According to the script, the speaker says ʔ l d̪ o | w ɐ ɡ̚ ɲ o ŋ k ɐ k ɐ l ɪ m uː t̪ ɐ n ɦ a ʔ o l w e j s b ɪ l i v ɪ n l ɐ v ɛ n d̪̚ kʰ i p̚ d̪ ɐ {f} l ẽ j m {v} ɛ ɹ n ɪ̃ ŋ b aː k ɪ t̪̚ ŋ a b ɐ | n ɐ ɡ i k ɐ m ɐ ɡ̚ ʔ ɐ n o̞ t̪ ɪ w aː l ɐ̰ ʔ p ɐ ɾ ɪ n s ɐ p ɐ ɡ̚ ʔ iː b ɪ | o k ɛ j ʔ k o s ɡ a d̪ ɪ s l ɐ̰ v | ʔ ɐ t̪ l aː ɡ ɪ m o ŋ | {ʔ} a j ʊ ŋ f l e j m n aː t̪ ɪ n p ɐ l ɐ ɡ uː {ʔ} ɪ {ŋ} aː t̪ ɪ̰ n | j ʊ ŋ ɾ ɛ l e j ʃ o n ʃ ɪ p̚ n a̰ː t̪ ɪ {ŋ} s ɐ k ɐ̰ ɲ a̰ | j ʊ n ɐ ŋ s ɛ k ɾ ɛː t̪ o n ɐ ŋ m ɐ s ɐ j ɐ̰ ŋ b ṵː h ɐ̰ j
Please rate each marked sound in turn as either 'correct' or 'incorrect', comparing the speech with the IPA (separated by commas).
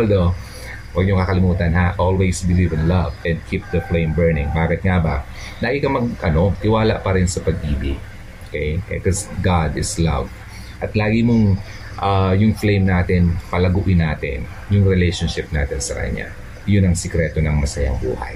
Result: correct, incorrect, correct, correct, incorrect, incorrect